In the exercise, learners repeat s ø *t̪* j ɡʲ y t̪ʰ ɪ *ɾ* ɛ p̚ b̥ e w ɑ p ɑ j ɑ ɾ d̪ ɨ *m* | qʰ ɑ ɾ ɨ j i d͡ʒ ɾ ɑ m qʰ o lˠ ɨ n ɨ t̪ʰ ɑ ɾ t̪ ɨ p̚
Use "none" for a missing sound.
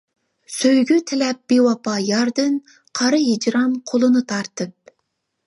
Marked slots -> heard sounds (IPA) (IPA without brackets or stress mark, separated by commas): none, l, n